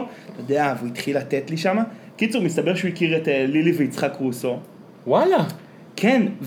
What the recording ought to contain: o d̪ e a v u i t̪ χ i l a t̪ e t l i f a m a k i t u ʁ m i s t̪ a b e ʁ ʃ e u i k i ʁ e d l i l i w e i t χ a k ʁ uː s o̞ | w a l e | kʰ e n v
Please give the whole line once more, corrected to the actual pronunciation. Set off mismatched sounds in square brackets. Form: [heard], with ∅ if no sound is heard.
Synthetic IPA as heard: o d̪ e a v u i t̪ χ i l a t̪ e t l i [ʃ] a m a k i [t͡s] u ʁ m i s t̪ a b e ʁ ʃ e u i k i ʁ e [t] l i l i [v] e i [t͡s] χ a k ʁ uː s o̞ | w a l [a] | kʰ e n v